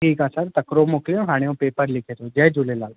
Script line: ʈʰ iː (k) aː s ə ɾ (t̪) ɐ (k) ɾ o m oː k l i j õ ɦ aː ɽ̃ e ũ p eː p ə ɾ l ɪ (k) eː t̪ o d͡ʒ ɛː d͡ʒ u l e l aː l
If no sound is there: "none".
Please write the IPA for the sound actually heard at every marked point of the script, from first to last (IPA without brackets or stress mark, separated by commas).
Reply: k, t̪, k, kʰ